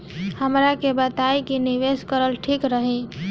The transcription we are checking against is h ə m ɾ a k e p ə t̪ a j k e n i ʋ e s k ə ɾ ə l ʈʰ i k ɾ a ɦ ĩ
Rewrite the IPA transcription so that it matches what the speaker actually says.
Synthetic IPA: h ə m ɾ a k e b ə t̪ a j k i n i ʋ e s k ə ɾ ə l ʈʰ i k ɾ ə ɦ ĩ